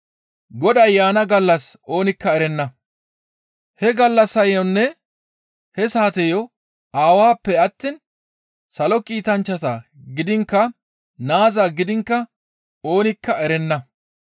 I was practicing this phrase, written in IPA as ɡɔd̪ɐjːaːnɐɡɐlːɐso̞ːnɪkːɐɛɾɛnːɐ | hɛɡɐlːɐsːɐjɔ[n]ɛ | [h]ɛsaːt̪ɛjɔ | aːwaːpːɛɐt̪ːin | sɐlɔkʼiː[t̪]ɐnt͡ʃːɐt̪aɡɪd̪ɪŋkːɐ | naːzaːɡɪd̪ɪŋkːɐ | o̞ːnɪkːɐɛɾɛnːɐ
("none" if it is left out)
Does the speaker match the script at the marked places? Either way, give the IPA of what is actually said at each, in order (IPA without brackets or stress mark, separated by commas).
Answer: nː, h, t̪